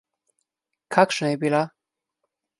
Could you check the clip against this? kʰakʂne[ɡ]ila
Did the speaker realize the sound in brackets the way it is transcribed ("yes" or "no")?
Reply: no